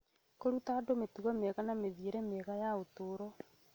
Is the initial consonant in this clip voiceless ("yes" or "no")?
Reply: yes